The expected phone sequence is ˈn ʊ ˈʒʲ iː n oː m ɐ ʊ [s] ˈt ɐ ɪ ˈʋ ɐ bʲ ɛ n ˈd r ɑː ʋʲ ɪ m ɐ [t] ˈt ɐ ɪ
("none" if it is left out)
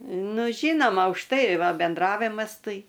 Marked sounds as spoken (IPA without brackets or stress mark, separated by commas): ʃ, s